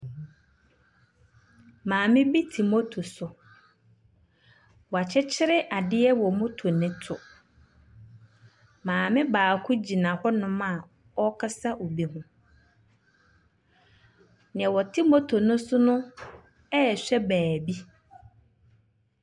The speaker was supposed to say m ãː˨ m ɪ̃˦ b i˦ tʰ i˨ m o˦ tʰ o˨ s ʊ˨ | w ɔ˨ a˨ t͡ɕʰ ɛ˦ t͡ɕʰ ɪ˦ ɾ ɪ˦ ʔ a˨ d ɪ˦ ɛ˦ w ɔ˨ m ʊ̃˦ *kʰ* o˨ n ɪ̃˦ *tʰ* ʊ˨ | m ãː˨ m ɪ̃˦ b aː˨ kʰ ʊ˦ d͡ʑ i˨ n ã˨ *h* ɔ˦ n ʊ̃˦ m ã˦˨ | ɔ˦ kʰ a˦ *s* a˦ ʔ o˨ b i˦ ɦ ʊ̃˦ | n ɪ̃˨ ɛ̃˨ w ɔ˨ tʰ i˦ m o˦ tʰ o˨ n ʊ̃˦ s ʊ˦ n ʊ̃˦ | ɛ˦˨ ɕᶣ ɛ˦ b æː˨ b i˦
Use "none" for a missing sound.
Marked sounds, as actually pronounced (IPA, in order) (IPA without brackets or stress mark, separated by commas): tʰ, tʰ, h, s